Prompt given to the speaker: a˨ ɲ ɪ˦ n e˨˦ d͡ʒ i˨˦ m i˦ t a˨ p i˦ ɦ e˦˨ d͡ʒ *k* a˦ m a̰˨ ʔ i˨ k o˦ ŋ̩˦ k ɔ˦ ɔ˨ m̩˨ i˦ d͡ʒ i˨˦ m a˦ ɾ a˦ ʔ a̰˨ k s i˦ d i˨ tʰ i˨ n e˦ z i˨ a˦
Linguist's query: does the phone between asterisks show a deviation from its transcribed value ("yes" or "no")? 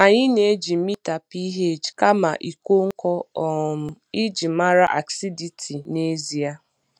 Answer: no